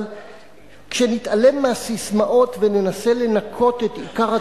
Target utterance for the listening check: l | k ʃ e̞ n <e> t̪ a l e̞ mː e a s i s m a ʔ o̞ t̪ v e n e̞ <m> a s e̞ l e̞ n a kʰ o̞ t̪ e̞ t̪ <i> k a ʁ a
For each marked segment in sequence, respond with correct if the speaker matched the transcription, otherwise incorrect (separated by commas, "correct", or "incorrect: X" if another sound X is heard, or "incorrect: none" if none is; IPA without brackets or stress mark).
incorrect: i, incorrect: n, correct